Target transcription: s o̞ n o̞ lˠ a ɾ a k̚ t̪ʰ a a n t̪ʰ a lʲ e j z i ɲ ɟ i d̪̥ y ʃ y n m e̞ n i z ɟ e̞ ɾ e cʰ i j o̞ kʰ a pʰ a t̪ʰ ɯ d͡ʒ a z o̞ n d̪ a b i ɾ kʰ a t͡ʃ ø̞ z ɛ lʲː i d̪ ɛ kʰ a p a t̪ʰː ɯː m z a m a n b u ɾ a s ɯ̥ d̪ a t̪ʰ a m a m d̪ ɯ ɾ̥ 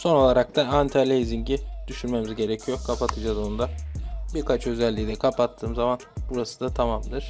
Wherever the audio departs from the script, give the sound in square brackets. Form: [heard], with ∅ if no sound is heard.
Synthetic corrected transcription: s o̞ n o̞ lˠ a ɾ a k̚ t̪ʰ a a n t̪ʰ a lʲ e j z i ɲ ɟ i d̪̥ y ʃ y n m e̞ [m] i z ɟ e̞ ɾ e cʰ i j o̞ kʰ a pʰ a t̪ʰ ɯ d͡ʒ a z o̞ n d̪ a b i ɾ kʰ a t͡ʃ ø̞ z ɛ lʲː i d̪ ɛ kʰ a p a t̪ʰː ɯː m z a m a n b u ɾ a s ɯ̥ d̪ a t̪ʰ a m a m d̪ ɯ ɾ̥